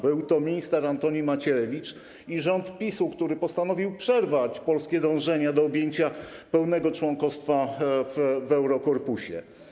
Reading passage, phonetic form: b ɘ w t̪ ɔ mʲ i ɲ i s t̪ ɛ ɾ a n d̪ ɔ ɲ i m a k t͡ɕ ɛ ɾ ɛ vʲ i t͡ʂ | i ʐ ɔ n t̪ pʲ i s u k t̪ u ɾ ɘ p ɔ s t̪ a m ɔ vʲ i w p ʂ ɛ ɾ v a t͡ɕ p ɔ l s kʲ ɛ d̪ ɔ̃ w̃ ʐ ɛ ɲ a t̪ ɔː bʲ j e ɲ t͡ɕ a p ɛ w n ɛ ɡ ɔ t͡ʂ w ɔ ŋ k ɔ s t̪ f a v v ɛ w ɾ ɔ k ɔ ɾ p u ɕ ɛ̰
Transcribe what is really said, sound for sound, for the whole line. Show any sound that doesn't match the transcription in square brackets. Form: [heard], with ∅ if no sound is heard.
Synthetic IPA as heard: b ɘ w t̪ ɔ mʲ i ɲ i s t̪ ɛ ɾ a n [t̪] ɔ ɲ i m a [∅] t͡ɕ ɛ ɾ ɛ vʲ i t͡ʂ | i ʐ ɔ n t̪ pʲ i s u k t̪ u ɾ ɘ p ɔ s t̪ a [n] ɔ vʲ i w p ʂ ɛ ɾ v a t͡ɕ p ɔ l s kʲ ɛ d̪ ɔ̃ w̃ ʐ ɛ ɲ a [d̪] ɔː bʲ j e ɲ t͡ɕ a p ɛ w n ɛ ɡ ɔ t͡ʂ w ɔ ŋ k ɔ s t̪ f a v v ɛ w ɾ ɔ k ɔ ɾ p u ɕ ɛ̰